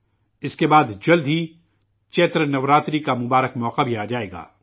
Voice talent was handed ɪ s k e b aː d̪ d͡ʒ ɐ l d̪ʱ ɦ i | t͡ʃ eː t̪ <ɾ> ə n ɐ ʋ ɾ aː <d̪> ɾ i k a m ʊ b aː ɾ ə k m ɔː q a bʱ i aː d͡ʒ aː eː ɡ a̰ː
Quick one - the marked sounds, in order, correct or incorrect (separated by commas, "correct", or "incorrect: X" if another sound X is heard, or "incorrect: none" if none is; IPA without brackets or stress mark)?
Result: correct, incorrect: t̪